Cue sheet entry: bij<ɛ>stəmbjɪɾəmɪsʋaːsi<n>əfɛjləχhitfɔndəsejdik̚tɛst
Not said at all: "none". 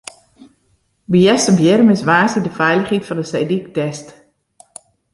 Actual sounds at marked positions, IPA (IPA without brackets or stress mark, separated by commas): ɛ, d